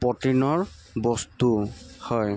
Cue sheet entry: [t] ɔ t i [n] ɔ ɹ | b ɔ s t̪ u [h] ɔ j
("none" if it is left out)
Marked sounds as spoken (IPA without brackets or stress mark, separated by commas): p, n, h